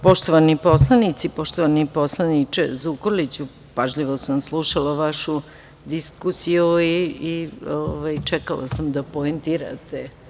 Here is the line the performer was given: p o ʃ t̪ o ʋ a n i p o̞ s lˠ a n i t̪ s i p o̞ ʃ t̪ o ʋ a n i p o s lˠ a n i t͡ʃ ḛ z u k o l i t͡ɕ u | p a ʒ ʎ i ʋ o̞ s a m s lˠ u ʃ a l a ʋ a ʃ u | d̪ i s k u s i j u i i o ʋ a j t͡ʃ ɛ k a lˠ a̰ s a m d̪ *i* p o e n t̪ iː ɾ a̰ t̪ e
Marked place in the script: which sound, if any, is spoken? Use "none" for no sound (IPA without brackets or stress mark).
a